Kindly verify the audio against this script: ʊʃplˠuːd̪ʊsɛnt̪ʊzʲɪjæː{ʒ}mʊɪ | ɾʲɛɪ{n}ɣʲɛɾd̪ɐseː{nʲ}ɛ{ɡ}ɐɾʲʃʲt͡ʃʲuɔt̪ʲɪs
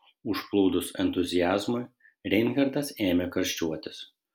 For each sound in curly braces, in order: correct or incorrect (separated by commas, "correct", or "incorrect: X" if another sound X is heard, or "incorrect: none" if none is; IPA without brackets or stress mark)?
incorrect: z, correct, incorrect: mʲ, incorrect: k